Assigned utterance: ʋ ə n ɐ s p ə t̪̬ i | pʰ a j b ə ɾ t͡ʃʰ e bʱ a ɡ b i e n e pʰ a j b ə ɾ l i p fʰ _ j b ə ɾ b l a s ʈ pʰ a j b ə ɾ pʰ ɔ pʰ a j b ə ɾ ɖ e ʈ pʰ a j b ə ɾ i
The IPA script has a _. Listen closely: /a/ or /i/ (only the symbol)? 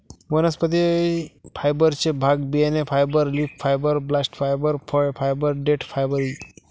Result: a